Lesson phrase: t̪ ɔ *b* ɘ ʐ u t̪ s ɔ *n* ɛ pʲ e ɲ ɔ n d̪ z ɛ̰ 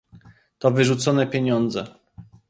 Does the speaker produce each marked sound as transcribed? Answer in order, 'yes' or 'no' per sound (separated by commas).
no, yes